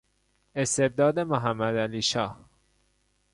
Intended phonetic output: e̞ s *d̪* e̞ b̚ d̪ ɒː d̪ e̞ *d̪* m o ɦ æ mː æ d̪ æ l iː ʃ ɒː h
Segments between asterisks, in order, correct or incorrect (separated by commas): incorrect, incorrect